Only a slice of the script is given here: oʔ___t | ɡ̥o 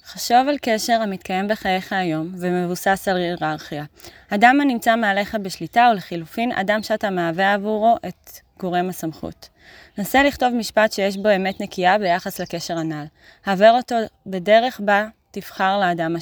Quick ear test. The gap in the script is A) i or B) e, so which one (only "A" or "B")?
B